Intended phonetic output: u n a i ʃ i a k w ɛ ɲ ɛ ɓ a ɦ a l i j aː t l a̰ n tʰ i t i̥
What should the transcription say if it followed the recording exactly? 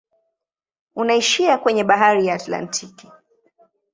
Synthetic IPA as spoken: u n a i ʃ i a k w ɛ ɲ ɛ ɓ a ɦ a ɾ i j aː t l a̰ n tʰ i k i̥